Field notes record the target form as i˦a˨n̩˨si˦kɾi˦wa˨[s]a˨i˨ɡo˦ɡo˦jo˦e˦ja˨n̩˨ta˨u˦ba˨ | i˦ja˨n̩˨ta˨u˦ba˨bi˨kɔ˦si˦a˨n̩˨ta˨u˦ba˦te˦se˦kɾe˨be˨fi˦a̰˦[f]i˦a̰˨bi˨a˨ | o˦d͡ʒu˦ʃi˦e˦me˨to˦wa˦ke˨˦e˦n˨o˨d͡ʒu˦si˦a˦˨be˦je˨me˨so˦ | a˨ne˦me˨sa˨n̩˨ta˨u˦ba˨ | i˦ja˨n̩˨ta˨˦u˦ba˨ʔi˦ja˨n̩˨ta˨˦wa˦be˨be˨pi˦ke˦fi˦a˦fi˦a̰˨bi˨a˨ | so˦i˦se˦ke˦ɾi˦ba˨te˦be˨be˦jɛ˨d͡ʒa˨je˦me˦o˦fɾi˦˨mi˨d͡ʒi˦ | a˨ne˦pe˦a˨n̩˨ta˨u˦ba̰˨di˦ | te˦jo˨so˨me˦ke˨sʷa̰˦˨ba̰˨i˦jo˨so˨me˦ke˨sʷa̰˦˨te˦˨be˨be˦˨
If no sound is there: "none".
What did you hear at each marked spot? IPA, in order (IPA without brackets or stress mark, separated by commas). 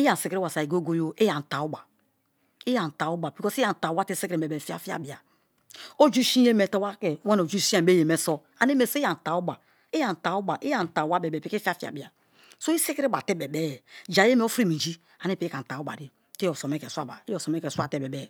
s, f